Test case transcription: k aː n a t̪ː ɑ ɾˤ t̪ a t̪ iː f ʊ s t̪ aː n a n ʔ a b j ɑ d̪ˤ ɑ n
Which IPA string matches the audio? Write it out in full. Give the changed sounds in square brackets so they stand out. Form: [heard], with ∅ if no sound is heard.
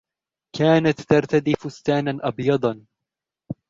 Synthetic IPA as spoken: k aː n a t̪ː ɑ ɾˤ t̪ a [d̪] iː f ʊ s t̪ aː n a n ʔ [ɑ] b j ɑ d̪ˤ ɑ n